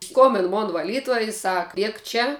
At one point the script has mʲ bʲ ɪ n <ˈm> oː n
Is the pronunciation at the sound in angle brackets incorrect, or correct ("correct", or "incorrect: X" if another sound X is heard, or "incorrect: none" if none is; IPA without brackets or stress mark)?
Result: correct